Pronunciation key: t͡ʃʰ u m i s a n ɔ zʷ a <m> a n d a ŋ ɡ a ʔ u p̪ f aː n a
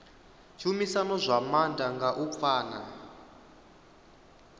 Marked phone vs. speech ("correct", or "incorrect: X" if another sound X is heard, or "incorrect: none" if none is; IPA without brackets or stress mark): correct